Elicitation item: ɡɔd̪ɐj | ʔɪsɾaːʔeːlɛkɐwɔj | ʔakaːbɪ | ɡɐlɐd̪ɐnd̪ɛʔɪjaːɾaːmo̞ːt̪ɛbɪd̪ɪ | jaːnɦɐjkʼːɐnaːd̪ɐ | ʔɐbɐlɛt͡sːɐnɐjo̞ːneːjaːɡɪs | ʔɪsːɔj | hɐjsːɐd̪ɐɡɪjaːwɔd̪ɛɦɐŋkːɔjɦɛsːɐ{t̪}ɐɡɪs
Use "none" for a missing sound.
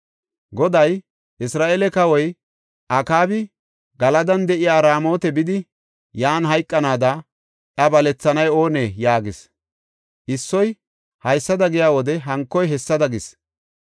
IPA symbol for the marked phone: d̪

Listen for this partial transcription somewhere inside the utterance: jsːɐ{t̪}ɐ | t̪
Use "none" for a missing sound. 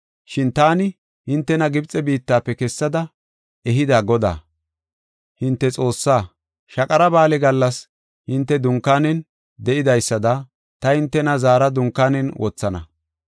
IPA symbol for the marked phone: d̪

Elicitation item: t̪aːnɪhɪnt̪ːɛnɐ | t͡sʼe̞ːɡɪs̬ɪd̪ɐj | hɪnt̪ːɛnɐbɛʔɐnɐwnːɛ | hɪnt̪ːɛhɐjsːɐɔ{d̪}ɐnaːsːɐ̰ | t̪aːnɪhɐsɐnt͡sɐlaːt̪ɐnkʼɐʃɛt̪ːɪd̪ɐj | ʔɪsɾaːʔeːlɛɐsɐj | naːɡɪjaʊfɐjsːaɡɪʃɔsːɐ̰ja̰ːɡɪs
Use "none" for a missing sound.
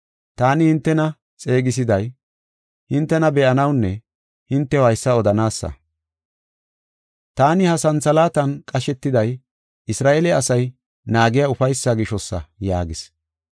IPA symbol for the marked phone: d̪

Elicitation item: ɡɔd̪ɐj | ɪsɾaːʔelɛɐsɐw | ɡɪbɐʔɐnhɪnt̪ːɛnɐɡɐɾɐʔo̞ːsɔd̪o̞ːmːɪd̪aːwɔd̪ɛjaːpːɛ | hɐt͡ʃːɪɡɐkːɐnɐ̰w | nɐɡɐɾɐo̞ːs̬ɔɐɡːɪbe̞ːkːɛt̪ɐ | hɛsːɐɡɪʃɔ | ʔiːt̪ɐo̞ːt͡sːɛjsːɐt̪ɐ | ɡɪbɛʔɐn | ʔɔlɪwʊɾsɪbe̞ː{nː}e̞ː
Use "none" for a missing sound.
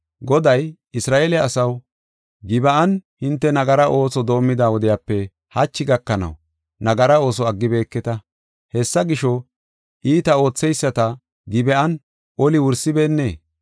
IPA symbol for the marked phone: nː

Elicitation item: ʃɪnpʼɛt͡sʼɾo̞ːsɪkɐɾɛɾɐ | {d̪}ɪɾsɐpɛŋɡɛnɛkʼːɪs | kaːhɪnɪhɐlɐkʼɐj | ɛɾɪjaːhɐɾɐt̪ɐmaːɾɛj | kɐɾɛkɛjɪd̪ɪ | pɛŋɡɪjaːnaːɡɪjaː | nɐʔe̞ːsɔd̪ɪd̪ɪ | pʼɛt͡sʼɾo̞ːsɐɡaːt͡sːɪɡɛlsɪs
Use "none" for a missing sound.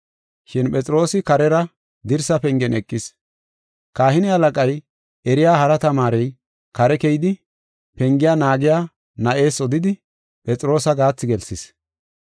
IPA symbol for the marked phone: d̪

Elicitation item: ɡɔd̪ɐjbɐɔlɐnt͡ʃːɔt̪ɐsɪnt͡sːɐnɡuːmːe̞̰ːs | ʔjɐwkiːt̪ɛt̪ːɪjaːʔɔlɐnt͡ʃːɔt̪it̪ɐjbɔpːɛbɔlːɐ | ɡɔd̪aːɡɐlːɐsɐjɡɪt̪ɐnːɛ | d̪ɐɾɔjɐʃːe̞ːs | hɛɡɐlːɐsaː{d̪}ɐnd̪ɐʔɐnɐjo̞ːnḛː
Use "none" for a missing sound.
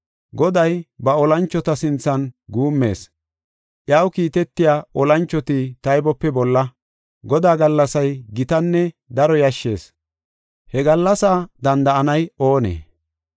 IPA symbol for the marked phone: d̪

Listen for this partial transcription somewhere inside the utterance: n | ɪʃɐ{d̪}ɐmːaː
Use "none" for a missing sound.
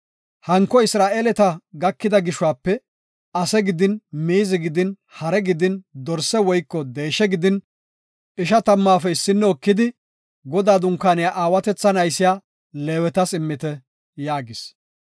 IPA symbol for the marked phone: t̪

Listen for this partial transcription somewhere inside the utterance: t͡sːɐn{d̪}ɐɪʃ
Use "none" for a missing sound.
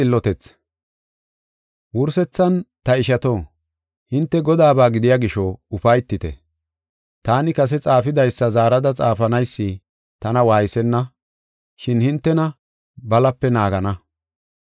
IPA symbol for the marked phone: t̪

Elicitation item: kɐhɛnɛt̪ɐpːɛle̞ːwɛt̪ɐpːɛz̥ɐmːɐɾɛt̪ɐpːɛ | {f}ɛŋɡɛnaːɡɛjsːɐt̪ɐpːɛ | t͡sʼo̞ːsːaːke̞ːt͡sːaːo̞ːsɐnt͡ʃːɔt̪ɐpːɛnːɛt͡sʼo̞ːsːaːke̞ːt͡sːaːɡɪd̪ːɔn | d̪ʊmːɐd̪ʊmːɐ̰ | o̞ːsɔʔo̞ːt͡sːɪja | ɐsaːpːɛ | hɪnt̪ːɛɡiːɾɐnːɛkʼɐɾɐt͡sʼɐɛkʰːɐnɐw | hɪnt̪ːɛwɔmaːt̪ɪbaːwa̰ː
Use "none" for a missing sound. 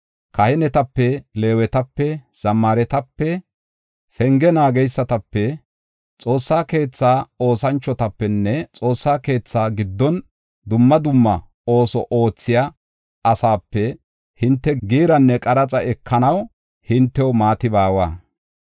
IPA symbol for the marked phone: f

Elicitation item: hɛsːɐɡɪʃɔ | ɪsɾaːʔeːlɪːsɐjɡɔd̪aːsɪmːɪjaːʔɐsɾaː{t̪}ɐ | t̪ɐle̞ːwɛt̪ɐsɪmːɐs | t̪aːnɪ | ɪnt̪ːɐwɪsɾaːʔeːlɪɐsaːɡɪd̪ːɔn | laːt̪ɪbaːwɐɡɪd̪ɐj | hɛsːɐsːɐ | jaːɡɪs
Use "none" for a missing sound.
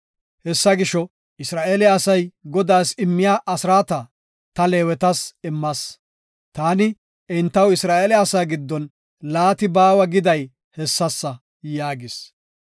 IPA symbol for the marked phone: t̪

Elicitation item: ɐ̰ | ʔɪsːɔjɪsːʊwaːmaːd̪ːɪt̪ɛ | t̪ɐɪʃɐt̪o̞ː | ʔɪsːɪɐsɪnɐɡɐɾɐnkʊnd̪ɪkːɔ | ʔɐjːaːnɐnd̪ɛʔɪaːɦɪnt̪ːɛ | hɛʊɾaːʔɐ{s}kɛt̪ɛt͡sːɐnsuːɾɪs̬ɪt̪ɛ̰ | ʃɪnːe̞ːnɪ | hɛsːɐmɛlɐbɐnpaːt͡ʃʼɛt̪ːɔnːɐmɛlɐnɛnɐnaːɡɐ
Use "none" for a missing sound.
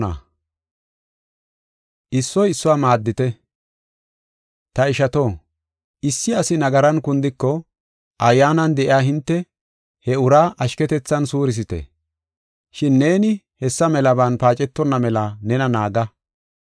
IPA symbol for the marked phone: ʃ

